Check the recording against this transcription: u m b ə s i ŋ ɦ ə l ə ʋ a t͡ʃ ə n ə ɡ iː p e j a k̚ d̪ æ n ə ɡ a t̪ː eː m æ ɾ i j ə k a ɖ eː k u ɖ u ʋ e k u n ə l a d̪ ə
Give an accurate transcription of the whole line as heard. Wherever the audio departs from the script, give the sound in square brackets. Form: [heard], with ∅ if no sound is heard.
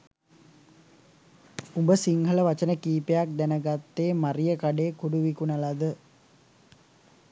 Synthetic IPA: u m b ə s i ŋ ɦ ə l ə ʋ a t͡ʃ ə n ə [k] iː p e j a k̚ d̪ æ n ə ɡ a t̪ː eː m [a] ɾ i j ə k a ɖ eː k u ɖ u ʋ [i] k u n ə l a d̪ ə